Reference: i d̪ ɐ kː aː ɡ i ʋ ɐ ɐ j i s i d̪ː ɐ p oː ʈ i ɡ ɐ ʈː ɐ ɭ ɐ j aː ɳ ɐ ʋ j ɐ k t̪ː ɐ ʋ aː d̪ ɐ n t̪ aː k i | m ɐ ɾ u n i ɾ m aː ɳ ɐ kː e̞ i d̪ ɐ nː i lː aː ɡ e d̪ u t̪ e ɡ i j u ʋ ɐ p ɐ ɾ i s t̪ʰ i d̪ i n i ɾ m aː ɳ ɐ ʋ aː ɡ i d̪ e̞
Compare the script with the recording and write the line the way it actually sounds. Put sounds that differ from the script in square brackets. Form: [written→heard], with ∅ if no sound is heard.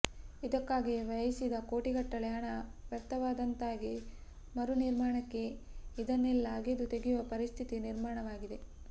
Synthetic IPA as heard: i d̪ ɐ kː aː ɡ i ʋ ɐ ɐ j i s i [d̪ː→d̪] ɐ [p→k] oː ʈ i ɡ ɐ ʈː ɐ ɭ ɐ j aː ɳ ɐ ʋ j ɐ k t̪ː ɐ ʋ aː d̪ ɐ n t̪ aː [k→ɡ] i | m ɐ ɾ u n i ɾ m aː ɳ ɐ kː e̞ i d̪ ɐ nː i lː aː ɡ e d̪ u t̪ e ɡ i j u ʋ ɐ p ɐ ɾ i s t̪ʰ i [d̪→t̪] i n i ɾ m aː ɳ ɐ ʋ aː ɡ i d̪ e̞